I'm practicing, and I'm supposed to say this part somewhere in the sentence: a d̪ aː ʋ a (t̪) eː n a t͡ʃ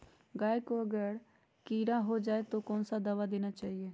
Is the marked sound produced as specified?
no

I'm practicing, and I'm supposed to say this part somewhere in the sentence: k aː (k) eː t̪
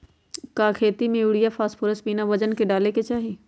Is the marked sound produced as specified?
no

